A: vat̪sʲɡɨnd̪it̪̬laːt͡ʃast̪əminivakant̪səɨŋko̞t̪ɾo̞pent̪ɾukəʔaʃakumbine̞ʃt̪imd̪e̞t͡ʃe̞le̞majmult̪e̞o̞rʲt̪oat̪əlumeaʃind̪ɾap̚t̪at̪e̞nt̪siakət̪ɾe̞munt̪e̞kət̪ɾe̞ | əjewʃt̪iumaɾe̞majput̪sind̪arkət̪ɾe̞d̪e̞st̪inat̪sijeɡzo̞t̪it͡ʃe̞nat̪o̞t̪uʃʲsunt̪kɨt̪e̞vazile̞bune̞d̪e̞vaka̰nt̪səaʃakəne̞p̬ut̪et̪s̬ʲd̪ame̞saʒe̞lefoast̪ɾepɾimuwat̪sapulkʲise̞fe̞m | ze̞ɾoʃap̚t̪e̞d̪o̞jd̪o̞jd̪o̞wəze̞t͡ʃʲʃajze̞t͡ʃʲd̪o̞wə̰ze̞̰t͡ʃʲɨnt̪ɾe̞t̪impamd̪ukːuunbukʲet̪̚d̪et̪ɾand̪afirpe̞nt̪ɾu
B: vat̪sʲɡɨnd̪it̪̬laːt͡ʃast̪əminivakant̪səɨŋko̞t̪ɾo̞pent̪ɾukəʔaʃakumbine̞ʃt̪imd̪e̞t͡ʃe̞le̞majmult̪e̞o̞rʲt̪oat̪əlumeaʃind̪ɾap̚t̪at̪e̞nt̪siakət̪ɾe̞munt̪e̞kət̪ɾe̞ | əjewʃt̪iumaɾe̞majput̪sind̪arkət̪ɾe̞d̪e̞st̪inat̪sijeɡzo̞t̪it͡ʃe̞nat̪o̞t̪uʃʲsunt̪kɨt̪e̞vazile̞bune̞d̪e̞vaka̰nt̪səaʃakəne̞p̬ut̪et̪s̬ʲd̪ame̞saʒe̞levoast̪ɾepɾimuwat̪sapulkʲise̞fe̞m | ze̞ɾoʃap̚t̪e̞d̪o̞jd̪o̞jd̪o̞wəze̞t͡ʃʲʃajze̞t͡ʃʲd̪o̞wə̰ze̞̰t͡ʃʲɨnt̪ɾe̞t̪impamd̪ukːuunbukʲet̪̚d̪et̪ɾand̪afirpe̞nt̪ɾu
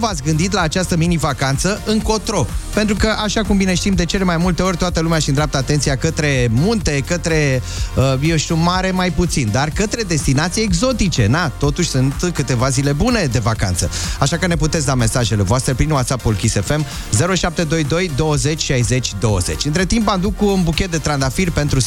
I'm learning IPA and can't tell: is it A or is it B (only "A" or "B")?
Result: B